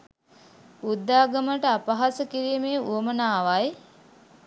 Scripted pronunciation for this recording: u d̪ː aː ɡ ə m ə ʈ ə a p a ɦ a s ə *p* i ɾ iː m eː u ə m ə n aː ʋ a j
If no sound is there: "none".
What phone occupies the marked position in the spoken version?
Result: k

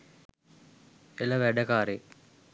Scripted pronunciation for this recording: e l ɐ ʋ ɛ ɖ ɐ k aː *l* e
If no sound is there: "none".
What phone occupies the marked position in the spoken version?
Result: ɾ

